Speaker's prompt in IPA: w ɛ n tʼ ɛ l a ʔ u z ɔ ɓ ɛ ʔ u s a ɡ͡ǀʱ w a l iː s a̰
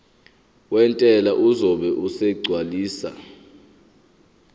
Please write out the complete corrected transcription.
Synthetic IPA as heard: w ɛ n tʼ ɛ l a ʔ u z ɔ ɓ ɛ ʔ u s ɛ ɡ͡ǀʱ w a l iː s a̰